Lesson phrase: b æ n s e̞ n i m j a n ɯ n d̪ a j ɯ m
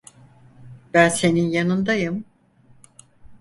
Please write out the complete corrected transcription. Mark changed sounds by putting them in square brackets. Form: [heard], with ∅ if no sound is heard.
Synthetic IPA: b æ n s e̞ n i [n] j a n ɯ n d̪ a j ɯ m